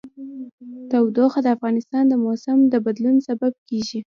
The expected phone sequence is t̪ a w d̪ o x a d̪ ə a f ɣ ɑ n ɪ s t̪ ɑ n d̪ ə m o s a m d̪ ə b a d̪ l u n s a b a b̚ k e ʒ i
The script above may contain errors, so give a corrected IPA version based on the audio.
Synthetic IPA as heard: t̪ a w d̪ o x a d̪ ə a f ɣ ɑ n ɪ s t̪ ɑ n d̪ ə m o s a m d̪ ə b a d̪ l u n s a b a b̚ k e ʒ i